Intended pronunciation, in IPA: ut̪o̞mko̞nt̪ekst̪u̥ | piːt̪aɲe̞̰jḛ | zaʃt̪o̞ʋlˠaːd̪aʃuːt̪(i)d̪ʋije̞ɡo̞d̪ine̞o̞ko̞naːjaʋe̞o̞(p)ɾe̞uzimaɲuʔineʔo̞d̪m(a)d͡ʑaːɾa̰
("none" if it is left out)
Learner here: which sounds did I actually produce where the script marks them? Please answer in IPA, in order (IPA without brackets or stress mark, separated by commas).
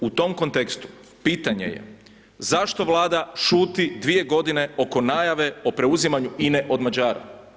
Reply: i, p, a